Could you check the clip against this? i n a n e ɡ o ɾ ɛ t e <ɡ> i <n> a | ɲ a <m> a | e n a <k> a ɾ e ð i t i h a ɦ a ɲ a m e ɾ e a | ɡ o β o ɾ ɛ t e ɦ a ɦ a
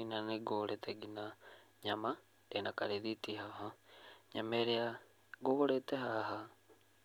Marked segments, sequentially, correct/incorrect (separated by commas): correct, correct, correct, correct